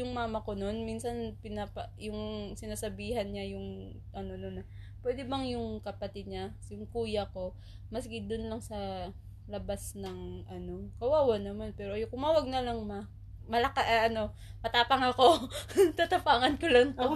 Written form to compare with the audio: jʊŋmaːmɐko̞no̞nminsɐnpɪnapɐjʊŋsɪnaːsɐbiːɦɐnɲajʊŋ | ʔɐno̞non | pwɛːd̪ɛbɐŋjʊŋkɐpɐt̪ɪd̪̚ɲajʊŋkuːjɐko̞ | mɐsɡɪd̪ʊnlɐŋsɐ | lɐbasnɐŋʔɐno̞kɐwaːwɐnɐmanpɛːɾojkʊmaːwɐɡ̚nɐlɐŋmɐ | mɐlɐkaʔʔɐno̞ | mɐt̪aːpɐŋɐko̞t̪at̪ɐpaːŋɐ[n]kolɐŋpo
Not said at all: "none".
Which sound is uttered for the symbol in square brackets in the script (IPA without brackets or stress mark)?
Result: n